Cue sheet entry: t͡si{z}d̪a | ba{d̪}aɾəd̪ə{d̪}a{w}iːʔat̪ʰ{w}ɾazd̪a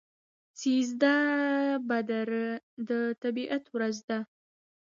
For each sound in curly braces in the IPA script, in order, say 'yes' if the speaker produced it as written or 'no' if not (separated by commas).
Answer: yes, yes, no, no, yes